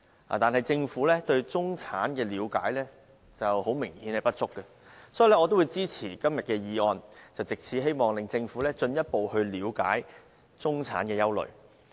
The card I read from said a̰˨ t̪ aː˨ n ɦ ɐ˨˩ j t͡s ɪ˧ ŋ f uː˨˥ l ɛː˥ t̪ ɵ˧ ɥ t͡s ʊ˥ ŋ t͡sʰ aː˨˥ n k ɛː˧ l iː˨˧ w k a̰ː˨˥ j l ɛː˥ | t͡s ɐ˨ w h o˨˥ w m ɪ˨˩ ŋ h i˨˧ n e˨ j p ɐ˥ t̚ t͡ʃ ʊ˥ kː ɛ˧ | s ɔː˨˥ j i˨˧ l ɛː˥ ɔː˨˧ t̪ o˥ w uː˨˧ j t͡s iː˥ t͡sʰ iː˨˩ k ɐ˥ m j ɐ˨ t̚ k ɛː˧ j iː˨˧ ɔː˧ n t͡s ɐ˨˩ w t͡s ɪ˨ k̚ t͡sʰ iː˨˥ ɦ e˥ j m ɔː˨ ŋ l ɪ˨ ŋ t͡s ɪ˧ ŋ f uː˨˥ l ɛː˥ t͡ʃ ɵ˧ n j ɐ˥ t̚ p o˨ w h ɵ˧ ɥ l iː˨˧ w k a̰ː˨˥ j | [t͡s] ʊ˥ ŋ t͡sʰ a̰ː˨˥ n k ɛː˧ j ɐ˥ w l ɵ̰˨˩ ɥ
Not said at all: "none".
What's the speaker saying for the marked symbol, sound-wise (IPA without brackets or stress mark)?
t͡s